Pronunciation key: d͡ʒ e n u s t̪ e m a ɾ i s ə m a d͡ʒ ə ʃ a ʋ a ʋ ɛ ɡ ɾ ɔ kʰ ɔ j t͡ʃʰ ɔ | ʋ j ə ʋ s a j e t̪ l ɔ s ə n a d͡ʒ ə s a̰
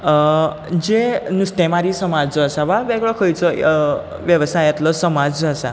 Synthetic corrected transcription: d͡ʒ e n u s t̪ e m a ɾ i s ə m a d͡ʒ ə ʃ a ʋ a ʋ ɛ ɡ ɭ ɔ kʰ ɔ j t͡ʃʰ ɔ | ʋ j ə ʋ s a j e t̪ l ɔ s ə m a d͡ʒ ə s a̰

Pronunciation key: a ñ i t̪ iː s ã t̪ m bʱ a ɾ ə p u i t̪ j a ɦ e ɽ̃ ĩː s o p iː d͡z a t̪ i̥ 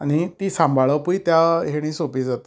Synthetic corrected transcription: a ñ i t̪ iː s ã m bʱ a ɭ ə p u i t̪ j a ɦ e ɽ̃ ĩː s o p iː d͡z a t̪ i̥

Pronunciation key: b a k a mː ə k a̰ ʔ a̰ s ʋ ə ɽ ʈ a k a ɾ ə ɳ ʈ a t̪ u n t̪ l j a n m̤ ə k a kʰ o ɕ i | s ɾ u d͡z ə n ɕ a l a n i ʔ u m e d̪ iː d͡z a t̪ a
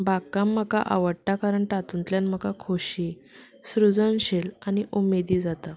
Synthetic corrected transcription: b a k a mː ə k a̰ ʔ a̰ ʋ ə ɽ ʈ a k a ɾ ə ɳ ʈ a t̪ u n t̪ l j a n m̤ ə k a kʰ o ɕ i | s ɾ u d͡z ə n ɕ e l a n i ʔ u m e d̪ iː d͡z a t̪ a

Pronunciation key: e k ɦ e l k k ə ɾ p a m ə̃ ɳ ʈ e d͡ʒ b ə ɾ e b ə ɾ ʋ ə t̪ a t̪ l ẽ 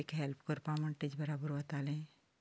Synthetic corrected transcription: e k ɦ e l p k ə ɾ p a m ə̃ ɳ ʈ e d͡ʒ b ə ɾ a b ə ɾ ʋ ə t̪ a l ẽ

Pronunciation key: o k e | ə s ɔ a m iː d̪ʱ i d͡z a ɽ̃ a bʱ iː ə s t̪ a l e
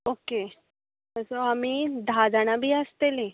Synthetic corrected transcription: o k e | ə s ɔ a m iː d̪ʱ a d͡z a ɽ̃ a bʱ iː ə s t̪ e l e

